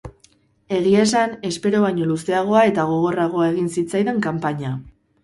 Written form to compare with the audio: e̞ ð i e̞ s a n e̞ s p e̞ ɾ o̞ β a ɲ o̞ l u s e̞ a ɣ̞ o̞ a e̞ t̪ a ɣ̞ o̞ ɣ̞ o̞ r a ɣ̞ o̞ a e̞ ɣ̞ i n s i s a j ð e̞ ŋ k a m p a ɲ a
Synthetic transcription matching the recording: e̞ ɣ i e̞ s a n e̞ s p e̞ ɾ o̞ β a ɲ o̞ l u s e̞ a ɣ̞ o̞ a e̞ t̪ a ɣ̞ o̞ ɣ̞ o̞ r a ɣ̞ o̞ a e̞ ɣ̞ i n s i t͡s a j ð e̞ ŋ k a m p a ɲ a